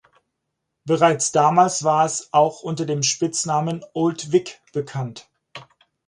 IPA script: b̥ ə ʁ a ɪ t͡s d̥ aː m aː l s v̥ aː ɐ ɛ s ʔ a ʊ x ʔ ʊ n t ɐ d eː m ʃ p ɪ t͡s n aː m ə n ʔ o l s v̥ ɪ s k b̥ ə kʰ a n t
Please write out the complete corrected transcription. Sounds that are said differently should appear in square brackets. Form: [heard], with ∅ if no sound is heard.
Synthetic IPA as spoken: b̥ ə ʁ a ɪ t͡s d̥ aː m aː l s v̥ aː ɐ ɛ s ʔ a ʊ x ʔ ʊ n t ɐ d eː m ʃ p ɪ t͡s n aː m ə n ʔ o l [t] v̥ ɪ [∅] k b̥ ə kʰ a n t